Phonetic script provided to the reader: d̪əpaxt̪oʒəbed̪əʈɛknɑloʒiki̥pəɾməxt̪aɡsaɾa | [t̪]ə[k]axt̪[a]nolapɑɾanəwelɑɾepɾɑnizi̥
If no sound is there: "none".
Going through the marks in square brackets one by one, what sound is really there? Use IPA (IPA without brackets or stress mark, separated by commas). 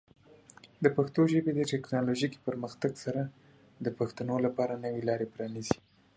d̪, p, a